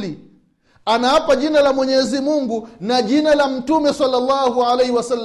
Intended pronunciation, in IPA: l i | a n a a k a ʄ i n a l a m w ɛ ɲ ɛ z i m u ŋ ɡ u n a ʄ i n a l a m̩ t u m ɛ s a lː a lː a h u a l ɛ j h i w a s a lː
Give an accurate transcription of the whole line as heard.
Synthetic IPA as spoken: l i | a n a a p a ʄ i n a l a m w ɛ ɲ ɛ z i m u ŋ ɡ u n a ʄ i n a l a m̩ t u m ɛ s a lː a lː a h u a l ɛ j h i w a s a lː